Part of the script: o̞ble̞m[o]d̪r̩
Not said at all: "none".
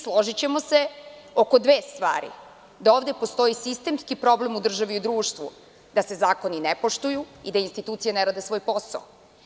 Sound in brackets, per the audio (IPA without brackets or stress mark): u